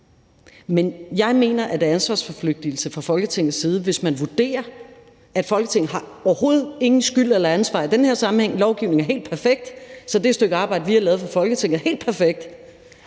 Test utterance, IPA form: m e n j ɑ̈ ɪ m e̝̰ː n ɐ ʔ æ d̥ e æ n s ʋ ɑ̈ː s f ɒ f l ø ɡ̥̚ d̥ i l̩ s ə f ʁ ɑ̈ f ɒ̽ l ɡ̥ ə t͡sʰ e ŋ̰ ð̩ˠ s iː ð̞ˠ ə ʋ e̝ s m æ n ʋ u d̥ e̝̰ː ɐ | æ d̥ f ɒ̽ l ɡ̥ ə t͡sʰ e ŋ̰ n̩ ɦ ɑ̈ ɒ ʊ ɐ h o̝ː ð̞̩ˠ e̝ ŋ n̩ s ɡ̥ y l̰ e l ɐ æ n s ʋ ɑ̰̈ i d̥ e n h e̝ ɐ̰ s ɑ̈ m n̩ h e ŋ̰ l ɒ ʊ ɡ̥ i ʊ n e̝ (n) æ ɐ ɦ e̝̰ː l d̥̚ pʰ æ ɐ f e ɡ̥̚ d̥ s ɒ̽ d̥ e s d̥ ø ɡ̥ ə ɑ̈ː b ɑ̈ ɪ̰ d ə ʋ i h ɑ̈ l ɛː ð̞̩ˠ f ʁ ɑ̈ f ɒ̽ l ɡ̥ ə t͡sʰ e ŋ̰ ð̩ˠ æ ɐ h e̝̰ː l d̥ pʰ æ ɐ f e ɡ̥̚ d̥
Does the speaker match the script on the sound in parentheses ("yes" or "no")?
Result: no